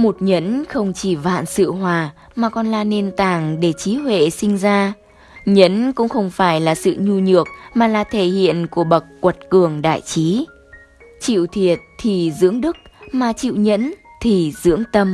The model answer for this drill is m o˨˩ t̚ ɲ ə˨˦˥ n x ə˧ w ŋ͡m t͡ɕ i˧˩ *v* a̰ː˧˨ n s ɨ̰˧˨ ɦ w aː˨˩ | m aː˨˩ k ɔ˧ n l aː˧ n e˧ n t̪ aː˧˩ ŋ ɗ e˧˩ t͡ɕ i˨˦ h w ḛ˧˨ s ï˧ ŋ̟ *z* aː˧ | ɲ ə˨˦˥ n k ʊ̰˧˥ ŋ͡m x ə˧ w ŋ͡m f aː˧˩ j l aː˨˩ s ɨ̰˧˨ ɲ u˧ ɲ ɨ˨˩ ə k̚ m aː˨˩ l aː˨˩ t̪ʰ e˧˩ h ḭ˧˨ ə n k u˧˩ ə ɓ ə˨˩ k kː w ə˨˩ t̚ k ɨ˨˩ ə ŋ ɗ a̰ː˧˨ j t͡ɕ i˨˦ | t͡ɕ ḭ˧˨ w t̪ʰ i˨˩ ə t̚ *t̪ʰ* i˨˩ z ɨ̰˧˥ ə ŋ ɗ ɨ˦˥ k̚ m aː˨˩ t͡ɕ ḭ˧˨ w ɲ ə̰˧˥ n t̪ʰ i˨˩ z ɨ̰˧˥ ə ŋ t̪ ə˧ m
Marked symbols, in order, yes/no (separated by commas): yes, yes, yes